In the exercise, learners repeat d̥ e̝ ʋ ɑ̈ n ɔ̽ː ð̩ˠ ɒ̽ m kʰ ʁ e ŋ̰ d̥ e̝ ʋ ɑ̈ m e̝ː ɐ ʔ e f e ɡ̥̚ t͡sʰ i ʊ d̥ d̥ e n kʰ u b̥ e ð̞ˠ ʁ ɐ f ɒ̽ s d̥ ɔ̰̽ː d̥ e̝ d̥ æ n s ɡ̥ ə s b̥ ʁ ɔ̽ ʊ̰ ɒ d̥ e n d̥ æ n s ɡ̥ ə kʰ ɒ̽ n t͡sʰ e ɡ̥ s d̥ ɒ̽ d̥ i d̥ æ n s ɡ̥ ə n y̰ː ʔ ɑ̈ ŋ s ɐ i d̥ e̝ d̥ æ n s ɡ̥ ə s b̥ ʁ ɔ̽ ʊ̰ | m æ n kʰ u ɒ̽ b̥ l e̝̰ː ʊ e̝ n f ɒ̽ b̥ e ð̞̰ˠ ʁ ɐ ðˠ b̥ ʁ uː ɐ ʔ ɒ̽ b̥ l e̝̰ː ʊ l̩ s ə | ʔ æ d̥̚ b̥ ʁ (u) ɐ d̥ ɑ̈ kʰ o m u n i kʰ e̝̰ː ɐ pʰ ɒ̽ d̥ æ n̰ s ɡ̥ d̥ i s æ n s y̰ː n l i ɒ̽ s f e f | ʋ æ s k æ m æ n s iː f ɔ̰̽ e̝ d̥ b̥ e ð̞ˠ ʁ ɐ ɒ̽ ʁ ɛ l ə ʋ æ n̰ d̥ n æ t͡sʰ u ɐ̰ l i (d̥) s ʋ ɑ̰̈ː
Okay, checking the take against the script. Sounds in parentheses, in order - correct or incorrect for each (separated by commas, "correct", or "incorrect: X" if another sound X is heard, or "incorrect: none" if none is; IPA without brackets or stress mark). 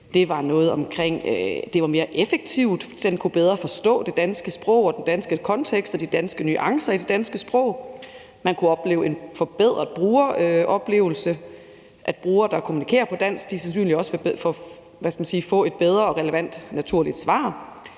incorrect: uː, correct